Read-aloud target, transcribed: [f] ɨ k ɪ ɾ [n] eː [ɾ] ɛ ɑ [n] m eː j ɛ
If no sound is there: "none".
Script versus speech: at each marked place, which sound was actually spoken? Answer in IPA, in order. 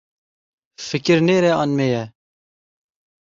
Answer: f, n, ɾ, n

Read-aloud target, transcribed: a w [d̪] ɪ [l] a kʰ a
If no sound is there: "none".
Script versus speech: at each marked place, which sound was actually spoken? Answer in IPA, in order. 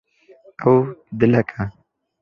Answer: d̪, l

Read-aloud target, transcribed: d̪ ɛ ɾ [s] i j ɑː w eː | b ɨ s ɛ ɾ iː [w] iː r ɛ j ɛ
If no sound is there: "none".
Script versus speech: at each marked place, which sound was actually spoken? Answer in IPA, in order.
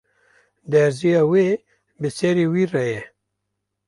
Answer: z, w

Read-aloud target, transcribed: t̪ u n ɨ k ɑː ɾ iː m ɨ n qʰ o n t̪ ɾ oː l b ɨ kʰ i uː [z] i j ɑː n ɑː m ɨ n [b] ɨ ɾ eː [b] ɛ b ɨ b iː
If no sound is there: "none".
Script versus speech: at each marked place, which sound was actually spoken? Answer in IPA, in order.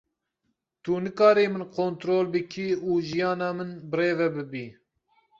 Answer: ʒ, b, v

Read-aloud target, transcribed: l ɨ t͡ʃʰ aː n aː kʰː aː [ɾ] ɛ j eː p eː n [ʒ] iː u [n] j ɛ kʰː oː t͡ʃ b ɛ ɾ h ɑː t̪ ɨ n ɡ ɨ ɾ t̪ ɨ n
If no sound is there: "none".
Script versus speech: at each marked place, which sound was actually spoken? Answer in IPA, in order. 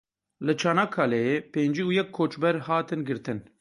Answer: l, d͡ʒ, none

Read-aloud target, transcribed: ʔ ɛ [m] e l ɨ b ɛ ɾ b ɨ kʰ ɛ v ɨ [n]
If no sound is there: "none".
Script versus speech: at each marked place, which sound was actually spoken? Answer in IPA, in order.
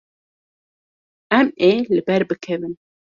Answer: m, n

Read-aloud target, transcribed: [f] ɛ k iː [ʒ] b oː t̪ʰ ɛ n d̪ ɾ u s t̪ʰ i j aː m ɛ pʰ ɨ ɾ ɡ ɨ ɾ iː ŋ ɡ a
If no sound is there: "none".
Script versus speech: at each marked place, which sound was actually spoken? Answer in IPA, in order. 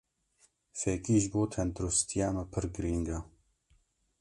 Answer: f, ʒ

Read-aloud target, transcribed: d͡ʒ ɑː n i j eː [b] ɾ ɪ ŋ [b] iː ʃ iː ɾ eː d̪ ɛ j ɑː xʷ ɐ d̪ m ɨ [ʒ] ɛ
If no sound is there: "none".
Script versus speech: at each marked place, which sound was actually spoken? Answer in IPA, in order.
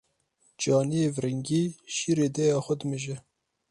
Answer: v, ɡ, ʒ

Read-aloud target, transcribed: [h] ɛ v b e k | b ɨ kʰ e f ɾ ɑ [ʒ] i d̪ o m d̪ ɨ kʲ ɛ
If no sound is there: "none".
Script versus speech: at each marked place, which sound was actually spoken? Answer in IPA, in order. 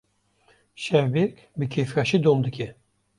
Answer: ʃ, ʃ

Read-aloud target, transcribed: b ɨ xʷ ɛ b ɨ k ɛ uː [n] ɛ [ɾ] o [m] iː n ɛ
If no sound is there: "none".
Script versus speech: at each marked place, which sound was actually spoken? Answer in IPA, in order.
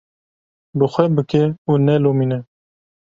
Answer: n, l, m

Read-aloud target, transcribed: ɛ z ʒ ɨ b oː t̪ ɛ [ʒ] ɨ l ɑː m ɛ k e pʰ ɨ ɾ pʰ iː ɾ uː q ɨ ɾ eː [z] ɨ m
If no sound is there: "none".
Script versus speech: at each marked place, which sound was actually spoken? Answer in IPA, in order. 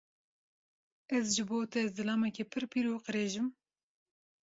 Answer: z, ʒ

